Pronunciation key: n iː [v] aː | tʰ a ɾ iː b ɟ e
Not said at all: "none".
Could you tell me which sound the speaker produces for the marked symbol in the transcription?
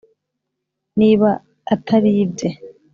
β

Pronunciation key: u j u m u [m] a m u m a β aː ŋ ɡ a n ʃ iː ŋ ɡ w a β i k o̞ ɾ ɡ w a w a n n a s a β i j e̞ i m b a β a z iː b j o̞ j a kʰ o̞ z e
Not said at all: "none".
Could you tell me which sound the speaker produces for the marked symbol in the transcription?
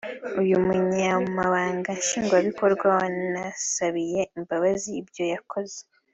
ɲ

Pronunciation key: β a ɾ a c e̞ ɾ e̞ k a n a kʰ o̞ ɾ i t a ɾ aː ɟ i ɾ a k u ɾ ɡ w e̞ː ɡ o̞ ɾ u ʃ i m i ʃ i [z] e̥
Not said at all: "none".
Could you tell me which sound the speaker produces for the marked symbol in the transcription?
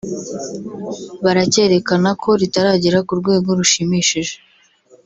ʒ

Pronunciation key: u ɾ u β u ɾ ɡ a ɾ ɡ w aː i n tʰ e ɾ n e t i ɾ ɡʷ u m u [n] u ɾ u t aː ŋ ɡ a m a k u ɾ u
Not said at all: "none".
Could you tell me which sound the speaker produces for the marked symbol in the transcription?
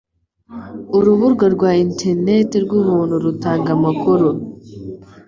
n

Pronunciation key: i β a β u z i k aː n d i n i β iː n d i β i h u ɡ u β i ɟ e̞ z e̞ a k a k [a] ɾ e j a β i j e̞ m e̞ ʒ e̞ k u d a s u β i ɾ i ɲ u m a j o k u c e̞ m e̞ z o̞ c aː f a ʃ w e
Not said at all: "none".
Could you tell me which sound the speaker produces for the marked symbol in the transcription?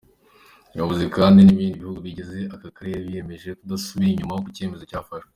a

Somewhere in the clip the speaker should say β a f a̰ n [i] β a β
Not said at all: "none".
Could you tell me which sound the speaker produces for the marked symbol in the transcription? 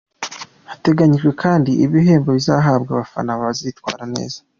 a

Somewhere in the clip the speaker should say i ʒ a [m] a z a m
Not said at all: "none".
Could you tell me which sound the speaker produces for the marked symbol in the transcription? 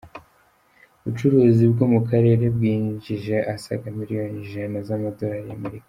n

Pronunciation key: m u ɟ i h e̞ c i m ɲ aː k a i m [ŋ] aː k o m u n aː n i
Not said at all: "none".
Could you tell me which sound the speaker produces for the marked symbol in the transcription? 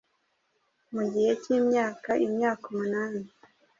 ɲ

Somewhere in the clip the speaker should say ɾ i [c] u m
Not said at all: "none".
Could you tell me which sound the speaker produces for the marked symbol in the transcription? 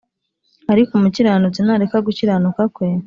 k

